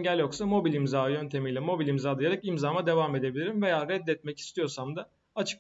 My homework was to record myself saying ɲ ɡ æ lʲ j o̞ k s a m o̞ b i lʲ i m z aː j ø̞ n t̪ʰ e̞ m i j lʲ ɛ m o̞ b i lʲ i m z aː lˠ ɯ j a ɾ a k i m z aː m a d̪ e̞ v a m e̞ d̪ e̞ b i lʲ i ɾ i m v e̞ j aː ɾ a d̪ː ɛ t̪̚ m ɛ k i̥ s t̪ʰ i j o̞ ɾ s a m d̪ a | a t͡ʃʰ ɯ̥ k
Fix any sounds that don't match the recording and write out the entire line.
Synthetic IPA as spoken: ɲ ɟ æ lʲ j o̞ k s a m o̞ b i lʲ i m z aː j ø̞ n t̪ʰ e̞ m i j lʲ ɛ m o̞ b i lʲ i m z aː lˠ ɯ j a ɾ a k i m z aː m a d̪ e̞ v a m e̞ d̪ e̞ b i lʲ i ɾ i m v e̞ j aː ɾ ɛ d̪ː ɛ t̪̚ m ɛ c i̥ s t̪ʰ i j o̞ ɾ s a m d̪ a | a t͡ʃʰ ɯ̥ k